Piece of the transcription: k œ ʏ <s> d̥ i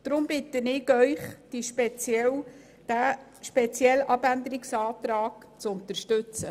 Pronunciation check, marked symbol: incorrect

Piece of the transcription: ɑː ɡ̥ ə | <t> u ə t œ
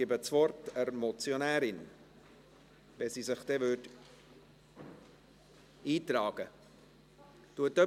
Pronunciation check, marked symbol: correct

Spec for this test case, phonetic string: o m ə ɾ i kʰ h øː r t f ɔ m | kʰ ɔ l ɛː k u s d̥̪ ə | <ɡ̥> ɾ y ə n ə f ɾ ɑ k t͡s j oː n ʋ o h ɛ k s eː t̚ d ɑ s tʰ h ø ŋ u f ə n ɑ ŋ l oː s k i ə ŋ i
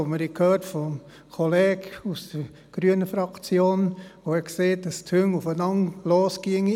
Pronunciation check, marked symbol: correct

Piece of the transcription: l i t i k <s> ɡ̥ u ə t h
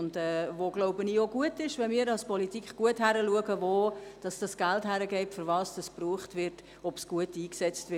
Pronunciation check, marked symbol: incorrect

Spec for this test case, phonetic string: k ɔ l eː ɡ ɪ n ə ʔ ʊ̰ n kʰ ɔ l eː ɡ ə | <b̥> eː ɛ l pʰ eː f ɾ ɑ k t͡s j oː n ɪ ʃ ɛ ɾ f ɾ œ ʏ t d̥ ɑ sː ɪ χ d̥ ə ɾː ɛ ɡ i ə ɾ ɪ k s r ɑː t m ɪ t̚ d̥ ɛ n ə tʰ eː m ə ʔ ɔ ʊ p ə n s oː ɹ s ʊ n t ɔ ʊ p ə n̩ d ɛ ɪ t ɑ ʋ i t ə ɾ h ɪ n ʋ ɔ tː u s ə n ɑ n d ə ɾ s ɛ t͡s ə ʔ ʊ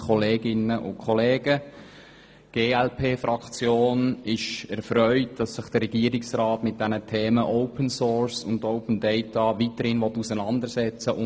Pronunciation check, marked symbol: incorrect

